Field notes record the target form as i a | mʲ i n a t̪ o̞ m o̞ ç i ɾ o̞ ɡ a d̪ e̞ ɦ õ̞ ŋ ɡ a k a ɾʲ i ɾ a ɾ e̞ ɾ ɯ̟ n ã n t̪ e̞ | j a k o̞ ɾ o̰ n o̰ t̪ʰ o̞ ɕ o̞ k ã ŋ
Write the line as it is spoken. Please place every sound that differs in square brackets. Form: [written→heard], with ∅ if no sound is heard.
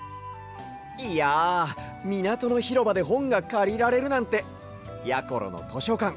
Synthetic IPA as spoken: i a | mʲ i n a t̪ o̞ [m→n] o̞ ç i ɾ o̞ [ɡ→b] a d̪ e̞ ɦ õ̞ ŋ ɡ a k a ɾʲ i ɾ a ɾ e̞ ɾ ɯ̟ n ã n t̪ e̞ | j a k o̞ ɾ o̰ n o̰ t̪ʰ o̞ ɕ o̞ k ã ŋ